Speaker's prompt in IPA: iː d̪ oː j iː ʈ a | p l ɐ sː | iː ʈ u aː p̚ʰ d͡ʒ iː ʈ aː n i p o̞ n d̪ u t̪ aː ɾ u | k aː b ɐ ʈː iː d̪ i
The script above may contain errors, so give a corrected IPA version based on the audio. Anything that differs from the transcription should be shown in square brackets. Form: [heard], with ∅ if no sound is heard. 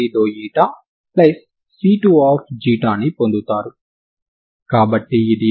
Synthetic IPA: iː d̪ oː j iː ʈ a | p l ɐ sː | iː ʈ u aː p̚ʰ d͡ʒ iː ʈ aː n i p o̞ n d̪ u t̪ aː ɾ u | k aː b ɐ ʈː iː d̪ i